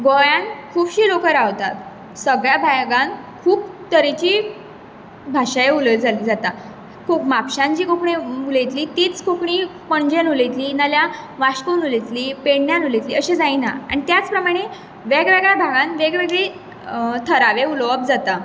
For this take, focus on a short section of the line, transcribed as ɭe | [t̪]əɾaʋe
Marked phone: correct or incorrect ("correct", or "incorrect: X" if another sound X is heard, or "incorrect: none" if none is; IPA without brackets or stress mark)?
incorrect: t̪ʰ